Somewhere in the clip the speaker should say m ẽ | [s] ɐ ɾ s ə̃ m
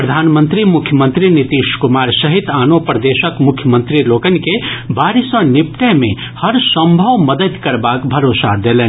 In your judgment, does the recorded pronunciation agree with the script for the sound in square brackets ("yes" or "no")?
no